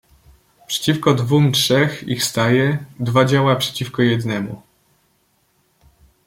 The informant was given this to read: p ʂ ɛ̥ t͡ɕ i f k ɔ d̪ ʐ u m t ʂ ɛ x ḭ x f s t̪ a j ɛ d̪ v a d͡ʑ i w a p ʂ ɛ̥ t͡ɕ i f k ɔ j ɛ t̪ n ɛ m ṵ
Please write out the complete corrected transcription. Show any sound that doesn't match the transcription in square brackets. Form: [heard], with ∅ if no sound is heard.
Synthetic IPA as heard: p ʂ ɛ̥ t͡ɕ i f k ɔ d̪ [v] u m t ʂ ɛ x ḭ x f s t̪ a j ɛ d̪ v a d͡ʑ [a] w a p ʂ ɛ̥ t͡ɕ i f k ɔ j ɛ [d̪] n ɛ m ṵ